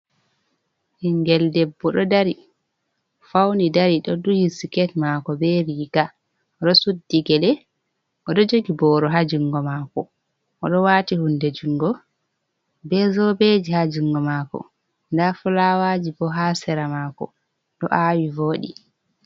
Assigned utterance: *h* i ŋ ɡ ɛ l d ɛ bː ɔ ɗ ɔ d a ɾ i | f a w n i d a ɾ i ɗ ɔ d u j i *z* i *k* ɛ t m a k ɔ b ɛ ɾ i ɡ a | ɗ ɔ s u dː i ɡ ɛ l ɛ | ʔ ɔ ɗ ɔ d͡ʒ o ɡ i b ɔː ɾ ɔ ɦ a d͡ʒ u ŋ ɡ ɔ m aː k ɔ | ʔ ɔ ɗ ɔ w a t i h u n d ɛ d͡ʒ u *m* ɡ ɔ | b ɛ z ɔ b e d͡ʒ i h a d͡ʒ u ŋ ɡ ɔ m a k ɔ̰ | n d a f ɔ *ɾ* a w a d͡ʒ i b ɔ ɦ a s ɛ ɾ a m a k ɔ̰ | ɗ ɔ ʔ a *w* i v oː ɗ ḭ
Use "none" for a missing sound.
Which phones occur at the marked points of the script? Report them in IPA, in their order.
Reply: h, s, k, ŋ, l, w

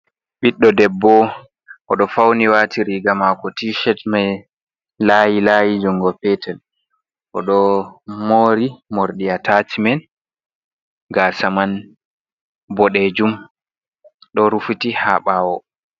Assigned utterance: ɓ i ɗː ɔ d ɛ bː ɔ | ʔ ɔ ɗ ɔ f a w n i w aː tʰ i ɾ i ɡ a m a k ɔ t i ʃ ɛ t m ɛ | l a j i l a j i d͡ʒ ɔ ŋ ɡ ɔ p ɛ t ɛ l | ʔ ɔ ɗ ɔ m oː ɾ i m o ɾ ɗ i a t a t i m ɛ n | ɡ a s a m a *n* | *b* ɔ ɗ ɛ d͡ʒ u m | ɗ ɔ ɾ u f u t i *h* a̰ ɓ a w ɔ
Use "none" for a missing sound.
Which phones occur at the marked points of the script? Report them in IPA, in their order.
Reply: n, b, h

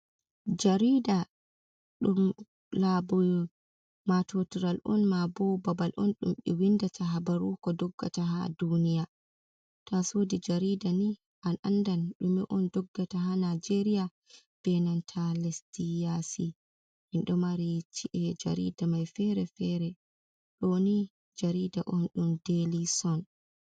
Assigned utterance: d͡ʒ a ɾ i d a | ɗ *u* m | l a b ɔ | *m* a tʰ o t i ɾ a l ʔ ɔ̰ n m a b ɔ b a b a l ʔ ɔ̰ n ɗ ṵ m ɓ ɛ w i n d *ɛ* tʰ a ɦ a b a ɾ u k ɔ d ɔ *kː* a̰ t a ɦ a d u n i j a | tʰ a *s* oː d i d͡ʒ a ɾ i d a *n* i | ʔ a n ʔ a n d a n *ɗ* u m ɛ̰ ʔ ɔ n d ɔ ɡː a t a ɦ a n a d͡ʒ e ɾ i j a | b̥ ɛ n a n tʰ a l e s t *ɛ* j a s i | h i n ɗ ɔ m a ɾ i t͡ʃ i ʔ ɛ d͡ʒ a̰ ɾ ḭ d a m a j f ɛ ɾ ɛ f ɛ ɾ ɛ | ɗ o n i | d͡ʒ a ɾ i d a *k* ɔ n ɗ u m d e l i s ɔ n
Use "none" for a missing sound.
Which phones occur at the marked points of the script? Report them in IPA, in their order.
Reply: u, m, a, ɡː, s, n, ɗ, i, ʔ

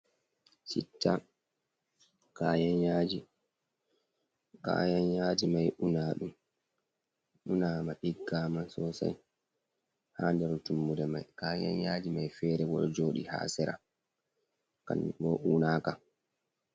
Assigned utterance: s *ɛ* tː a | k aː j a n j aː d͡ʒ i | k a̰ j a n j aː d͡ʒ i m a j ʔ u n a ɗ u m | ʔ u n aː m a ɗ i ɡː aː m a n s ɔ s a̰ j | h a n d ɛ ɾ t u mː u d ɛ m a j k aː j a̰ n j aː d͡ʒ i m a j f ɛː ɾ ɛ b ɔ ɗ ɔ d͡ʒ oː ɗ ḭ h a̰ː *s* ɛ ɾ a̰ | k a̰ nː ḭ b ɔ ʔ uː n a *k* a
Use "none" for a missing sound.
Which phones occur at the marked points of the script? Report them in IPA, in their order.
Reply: i, s, k

